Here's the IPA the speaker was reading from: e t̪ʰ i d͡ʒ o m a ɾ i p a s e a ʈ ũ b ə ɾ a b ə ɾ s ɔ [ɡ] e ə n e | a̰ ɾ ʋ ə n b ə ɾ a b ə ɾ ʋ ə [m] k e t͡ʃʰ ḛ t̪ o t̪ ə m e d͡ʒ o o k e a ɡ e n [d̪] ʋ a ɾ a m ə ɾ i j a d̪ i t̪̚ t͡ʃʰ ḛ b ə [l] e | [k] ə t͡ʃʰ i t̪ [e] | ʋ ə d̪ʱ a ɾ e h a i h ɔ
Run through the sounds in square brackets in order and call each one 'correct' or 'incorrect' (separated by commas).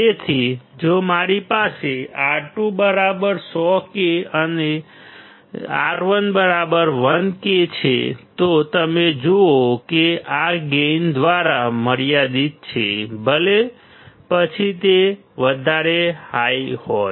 incorrect, incorrect, correct, correct, incorrect, correct